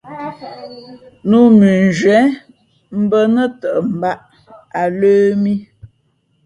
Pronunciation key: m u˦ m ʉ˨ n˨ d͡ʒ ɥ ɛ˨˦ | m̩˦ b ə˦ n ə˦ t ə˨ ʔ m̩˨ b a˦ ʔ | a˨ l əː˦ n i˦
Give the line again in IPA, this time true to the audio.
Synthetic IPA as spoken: n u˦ m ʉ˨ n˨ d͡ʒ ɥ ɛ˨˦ | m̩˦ b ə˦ n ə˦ t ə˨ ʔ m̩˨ b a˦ ʔ | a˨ l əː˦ m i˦